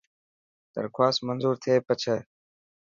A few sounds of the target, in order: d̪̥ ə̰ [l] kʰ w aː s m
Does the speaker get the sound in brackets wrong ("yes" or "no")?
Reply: yes